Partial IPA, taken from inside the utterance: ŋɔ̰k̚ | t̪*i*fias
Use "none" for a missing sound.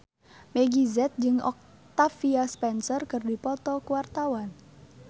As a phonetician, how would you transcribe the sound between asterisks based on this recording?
a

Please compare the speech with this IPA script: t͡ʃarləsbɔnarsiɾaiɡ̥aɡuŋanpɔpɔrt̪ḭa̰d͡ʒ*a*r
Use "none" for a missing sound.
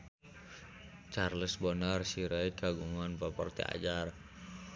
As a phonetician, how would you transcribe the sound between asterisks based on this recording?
a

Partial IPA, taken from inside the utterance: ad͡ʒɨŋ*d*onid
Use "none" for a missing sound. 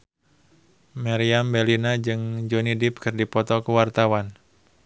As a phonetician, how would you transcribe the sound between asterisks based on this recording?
d͡ʒ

